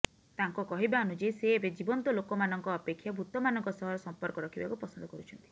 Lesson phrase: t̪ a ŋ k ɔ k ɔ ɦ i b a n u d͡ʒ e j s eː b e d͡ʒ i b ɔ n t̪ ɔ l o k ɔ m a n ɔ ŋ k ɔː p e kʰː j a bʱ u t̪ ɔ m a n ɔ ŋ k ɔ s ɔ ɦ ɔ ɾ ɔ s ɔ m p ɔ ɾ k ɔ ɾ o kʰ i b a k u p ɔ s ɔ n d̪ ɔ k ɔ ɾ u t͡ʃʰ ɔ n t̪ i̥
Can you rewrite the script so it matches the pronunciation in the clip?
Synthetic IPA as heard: t̪ a ŋ k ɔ k ɔ ɦ i b a n u d͡ʒ e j s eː b e d͡ʒ i b ɔ n t̪ ɔ l o k ɔ m a n ɔ ŋ k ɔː p e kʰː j a bʱ u t̪ ɔ m a n ɔ ŋ k ɔ s ɔ ɦ ɔ ɾ ɔ s ɔ m p ɔ ɾ k ɔ ɾ ɔ kʰ i b a k u p ɔ s ɔ n d̪ ɔ k ɔ ɾ u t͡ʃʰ ɔ n t̪ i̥